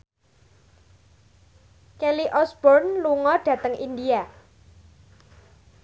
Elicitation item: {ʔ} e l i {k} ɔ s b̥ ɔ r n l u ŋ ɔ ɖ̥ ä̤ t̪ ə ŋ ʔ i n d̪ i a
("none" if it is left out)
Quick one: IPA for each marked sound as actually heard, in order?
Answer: k, ʔ

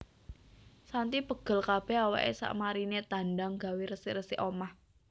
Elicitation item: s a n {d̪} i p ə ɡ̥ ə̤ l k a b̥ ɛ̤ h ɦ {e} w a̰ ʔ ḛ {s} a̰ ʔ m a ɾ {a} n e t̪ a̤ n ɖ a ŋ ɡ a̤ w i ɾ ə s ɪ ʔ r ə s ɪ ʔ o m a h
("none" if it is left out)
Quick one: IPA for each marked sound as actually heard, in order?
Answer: t̪, a, s, i

